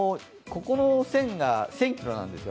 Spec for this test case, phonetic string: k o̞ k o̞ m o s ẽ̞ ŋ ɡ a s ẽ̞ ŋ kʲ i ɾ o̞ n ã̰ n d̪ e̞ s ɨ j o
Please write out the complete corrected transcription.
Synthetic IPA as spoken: k o̞ k o̞ n o s ẽ̞ ŋ ɡ a s ẽ̞ ŋ kʲ i ɾ o̞ n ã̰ n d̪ e̞ s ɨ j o